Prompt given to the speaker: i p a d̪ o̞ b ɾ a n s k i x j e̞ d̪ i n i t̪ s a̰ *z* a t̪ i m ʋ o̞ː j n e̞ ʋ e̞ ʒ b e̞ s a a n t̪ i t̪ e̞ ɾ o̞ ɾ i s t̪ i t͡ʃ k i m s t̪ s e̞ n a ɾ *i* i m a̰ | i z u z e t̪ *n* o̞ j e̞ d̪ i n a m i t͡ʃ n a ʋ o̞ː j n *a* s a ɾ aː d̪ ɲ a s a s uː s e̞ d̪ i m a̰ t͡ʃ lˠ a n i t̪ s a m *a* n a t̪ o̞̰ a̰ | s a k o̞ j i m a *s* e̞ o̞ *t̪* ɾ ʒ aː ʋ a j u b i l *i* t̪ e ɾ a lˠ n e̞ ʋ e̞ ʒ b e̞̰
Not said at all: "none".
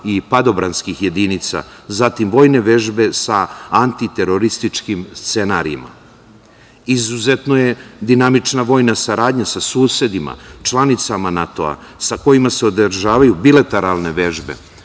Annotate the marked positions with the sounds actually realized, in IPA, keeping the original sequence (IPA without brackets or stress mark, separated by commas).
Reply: z, i, n, a, a, s, d̪, a